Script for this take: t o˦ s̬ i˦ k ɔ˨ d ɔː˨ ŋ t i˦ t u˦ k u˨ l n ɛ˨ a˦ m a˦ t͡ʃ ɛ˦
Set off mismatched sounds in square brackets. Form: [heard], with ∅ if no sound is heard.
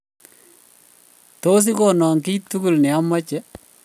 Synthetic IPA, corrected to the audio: t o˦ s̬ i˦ k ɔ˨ [n] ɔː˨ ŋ [k] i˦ t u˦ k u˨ l n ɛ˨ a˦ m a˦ t͡ʃ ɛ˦